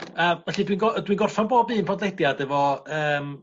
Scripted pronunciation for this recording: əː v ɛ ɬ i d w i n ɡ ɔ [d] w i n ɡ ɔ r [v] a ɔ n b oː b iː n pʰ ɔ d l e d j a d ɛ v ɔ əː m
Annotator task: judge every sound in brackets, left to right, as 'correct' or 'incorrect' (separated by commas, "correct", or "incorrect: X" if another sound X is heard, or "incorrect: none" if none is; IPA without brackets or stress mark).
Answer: correct, incorrect: f